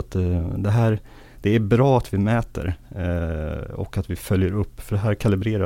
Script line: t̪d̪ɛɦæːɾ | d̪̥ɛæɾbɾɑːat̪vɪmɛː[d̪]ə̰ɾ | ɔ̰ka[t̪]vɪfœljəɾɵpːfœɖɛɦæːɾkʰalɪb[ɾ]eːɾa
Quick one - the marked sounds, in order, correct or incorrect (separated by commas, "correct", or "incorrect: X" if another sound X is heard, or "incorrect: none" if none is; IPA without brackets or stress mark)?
incorrect: t̪, correct, correct